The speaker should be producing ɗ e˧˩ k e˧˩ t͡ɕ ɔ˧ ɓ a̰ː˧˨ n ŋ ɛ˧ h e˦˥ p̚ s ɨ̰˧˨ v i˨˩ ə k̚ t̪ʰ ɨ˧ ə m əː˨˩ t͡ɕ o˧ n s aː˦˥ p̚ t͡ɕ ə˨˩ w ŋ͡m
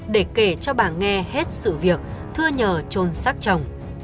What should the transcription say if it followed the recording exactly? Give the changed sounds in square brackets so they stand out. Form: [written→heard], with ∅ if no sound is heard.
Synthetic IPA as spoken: ɗ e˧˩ k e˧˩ t͡ɕ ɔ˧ ɓ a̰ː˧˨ n ŋ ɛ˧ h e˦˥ [p̚→t̚] s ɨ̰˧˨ v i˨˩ ə k̚ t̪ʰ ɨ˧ ə [m→ɲ] əː˨˩ t͡ɕ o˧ n s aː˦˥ [p̚→k̚] t͡ɕ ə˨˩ w ŋ͡m